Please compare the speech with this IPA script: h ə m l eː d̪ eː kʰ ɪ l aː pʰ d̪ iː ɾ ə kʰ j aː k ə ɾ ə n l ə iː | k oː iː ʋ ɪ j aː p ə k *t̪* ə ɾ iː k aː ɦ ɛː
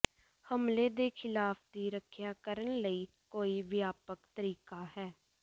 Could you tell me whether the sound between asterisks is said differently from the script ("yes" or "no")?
no